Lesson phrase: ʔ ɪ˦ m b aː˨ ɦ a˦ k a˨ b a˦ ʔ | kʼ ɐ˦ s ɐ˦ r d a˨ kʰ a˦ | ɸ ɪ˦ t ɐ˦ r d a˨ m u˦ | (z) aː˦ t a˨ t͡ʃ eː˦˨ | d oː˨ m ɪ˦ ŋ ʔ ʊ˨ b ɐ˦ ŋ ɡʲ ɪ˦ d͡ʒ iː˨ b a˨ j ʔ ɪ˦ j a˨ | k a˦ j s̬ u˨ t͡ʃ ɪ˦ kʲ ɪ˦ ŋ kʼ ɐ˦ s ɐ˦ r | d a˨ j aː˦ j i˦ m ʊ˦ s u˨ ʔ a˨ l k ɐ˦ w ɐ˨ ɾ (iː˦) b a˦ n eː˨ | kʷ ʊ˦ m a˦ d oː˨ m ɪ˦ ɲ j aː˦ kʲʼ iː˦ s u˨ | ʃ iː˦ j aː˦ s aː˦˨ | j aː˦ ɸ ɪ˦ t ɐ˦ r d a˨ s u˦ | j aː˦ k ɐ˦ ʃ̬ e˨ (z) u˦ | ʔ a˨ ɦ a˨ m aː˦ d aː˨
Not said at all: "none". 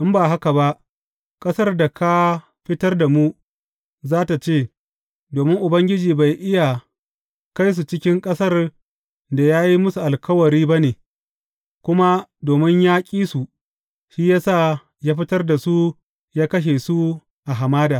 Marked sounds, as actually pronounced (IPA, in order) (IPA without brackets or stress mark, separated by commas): z, iː˦, s